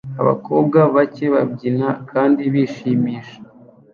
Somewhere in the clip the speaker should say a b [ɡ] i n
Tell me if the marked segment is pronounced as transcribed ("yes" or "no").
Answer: no